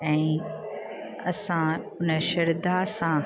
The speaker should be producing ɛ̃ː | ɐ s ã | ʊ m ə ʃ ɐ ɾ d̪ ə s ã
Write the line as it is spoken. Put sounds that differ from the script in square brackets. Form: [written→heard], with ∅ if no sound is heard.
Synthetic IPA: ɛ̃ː | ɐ s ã | ʊ [m→n] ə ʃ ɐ ɾ d̪ [ə→a] s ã